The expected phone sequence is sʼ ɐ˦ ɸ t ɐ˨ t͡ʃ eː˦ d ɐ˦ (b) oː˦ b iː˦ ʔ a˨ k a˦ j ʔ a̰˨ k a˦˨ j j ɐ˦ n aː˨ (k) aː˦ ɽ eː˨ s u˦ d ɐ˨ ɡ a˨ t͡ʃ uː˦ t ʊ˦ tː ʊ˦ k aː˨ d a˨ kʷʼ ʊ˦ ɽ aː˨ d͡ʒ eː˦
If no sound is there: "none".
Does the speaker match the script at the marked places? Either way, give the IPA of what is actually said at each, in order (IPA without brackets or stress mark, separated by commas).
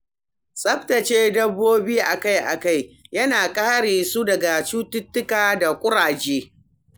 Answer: bː, kʼ